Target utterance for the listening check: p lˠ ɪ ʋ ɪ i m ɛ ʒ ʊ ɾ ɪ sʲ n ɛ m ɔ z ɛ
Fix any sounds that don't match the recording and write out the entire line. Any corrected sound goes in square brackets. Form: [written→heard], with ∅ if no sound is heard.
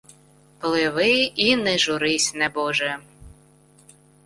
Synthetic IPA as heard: p lˠ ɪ ʋ ɪ i [m→n] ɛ ʒ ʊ ɾ ɪ sʲ n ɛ [m→b] ɔ [z→ʒ] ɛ